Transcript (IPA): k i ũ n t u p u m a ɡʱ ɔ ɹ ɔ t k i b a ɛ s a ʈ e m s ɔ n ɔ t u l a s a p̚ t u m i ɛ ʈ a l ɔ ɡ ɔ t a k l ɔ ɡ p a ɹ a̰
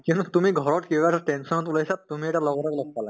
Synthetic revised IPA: k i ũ n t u t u m i ɡʱ ɔ ɹ ɔ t k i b a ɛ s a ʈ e n s ɔ n ɔ t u l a s a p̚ t u m i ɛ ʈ a l ɔ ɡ ɔ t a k l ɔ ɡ p a l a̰